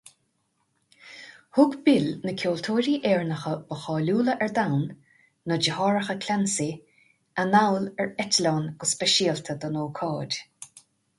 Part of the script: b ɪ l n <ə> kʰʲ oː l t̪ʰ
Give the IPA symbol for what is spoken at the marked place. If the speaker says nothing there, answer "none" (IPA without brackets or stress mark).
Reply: ə